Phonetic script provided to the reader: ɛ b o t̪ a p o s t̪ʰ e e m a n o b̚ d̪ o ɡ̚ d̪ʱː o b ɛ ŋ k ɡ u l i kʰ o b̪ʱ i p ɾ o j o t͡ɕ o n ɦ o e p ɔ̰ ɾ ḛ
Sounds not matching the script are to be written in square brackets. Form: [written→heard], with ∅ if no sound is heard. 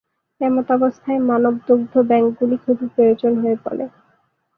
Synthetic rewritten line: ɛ [b→m] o t̪ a [p→b] o s t̪ʰ [e→a] e m a n o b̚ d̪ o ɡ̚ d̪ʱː o b ɛ ŋ k ɡ u l i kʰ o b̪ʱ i p ɾ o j o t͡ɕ o n ɦ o e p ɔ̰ [ɾ→l] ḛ